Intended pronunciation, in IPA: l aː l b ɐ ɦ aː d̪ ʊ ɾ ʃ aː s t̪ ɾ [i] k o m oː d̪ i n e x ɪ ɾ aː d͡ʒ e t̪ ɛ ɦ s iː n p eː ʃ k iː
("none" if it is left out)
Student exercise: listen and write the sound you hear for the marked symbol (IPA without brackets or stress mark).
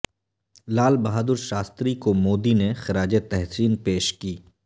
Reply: i